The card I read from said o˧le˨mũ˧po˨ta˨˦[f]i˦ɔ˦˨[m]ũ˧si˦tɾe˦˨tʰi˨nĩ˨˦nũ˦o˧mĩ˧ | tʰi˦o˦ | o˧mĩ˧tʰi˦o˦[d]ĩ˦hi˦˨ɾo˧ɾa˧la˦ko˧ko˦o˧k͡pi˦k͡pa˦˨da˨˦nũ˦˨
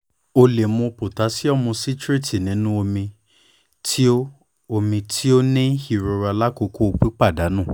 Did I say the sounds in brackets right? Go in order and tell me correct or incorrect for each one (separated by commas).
incorrect, correct, incorrect